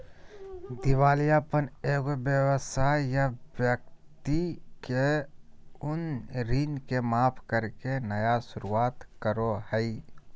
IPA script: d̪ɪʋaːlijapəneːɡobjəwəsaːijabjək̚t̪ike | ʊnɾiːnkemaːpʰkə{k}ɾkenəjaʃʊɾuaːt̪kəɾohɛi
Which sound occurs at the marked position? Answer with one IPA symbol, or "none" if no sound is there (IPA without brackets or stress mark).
none